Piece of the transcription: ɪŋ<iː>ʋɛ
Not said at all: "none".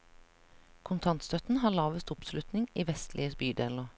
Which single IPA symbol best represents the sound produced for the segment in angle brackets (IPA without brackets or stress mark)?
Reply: iː